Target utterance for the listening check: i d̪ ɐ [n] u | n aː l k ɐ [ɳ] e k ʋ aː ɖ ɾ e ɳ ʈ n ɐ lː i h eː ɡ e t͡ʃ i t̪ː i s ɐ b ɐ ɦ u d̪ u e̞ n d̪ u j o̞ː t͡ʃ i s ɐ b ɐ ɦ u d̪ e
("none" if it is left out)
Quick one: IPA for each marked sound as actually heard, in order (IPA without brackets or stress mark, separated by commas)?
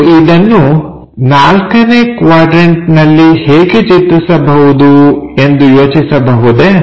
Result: nː, n